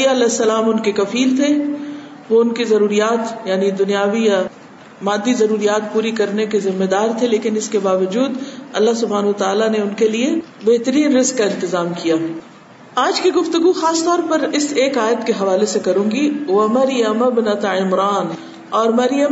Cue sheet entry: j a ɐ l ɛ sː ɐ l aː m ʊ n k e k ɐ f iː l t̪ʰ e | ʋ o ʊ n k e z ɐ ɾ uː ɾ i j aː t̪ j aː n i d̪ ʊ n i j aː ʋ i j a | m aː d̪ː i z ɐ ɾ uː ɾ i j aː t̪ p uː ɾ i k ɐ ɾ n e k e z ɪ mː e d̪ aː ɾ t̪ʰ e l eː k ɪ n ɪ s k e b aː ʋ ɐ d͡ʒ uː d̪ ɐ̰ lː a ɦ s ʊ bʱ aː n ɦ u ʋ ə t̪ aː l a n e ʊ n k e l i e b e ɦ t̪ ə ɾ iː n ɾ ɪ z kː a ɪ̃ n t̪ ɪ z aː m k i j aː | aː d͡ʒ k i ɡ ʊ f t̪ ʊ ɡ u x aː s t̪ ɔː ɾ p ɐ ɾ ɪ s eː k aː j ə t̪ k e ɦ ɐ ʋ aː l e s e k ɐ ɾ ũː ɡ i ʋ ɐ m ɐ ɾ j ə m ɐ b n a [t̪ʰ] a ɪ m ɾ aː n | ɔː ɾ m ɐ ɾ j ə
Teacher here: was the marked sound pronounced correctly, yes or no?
no